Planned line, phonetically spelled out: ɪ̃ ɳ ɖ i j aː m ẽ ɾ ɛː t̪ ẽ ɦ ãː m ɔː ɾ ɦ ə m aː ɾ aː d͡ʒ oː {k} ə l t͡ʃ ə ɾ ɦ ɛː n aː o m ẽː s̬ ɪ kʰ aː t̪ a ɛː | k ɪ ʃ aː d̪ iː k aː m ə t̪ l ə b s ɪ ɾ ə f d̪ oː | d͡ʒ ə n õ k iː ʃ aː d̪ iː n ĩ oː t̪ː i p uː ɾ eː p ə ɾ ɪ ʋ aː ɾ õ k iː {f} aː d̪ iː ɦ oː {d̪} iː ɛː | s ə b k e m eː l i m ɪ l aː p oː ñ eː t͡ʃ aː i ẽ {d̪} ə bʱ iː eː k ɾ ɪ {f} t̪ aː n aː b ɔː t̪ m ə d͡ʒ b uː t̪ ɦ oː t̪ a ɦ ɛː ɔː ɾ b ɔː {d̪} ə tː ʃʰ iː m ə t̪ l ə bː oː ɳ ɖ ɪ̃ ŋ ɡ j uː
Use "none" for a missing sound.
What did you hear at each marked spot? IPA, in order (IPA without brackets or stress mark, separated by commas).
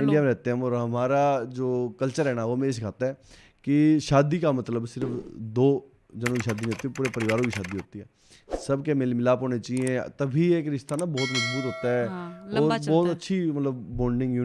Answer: k, ʃ, t̪, t̪, ʃ, t̪